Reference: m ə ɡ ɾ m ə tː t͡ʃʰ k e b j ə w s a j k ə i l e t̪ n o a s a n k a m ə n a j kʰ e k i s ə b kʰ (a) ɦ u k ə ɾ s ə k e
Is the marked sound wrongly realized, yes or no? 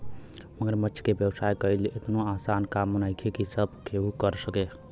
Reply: yes